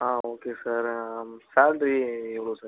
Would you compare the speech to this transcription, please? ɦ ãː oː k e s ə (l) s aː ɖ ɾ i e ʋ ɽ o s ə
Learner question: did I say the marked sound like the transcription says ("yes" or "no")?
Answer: no